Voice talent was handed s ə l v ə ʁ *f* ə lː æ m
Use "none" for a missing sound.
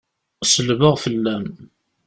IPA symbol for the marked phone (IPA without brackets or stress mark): f